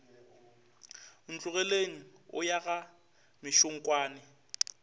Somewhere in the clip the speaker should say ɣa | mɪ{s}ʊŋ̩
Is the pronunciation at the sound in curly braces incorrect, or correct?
incorrect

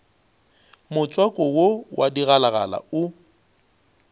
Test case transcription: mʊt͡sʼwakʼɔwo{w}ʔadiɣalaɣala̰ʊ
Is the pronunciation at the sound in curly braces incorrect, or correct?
correct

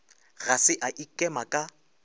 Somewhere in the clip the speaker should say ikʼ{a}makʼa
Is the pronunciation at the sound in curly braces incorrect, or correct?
incorrect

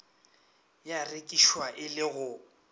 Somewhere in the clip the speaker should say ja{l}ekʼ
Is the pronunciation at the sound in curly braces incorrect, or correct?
incorrect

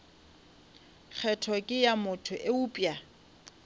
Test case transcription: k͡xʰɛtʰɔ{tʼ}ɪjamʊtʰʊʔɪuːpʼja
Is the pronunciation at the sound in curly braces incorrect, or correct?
incorrect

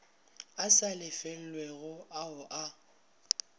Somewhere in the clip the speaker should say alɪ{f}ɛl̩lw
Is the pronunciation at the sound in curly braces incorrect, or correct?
correct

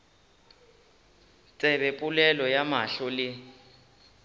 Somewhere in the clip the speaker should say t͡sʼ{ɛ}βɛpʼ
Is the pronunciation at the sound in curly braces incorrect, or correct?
correct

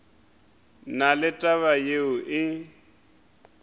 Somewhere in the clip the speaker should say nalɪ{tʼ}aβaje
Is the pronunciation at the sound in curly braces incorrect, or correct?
correct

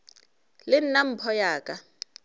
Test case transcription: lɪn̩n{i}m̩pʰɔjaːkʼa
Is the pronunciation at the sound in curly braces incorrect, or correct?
incorrect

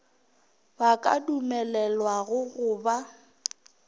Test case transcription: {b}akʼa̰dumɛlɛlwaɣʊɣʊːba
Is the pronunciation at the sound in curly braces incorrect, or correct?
correct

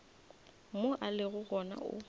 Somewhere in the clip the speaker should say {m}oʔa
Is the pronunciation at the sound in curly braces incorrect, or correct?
correct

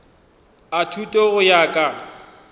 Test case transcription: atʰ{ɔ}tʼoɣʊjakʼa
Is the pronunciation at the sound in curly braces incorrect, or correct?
incorrect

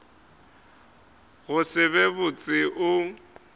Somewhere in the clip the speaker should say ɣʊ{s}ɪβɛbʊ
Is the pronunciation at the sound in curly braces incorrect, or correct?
correct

